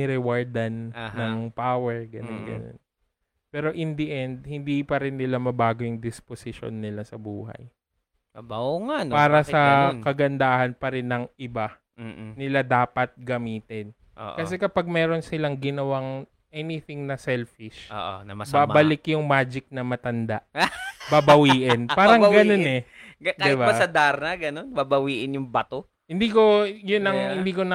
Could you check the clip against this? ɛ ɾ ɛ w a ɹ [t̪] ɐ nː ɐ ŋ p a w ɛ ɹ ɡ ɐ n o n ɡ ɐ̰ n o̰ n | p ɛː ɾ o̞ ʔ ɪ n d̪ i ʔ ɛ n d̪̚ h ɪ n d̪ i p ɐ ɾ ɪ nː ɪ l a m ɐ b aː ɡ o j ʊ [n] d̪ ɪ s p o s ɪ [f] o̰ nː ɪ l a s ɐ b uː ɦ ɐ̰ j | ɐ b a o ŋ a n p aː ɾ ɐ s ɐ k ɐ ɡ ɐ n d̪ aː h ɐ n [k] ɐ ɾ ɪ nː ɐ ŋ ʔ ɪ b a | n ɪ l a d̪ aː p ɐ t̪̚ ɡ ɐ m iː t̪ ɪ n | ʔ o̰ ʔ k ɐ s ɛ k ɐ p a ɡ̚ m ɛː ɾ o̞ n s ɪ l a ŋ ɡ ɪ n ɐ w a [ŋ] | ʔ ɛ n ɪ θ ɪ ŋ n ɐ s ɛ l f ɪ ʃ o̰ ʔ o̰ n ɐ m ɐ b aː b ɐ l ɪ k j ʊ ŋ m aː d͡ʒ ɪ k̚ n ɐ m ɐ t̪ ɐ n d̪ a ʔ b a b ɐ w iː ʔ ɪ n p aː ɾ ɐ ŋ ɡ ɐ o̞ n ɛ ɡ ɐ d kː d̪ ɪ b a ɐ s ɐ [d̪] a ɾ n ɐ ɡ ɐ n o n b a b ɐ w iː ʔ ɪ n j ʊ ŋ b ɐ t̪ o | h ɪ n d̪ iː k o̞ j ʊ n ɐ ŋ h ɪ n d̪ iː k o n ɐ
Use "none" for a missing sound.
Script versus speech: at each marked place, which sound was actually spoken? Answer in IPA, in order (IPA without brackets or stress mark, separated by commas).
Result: d̪, ŋ, ʃ, p, ŋ, d̪